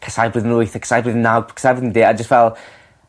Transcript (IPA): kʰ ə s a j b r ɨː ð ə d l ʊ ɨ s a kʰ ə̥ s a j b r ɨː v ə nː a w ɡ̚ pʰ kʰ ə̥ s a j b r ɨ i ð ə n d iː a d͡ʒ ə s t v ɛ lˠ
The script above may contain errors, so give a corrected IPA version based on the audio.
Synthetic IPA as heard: kʰ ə s a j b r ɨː ð ə n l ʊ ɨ θ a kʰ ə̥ s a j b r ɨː ð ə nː a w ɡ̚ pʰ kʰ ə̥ s a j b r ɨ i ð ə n d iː a d͡ʒ ə s t v ɛ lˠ